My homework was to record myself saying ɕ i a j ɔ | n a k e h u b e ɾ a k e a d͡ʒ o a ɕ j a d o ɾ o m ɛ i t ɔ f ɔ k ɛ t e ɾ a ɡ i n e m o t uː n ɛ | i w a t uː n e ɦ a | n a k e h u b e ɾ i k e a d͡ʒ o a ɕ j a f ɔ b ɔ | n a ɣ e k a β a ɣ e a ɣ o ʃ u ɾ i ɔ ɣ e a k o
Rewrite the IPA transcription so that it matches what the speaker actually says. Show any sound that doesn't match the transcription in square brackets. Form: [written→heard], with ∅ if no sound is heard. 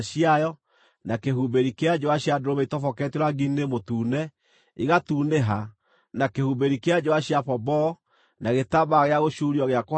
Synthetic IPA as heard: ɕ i a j ɔ | n a k e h u b e ɾ [a→i] k e a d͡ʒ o a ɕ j a d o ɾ o m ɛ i t ɔ f ɔ k ɛ t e ɾ a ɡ i n e m o t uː n ɛ | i [w→ɣ] a t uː n e ɦ a | n a k e h u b e ɾ i k e a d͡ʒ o a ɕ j a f ɔ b ɔ | n a ɣ e [k→t] a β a ɣ e a ɣ o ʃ u ɾ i ɔ ɣ e a k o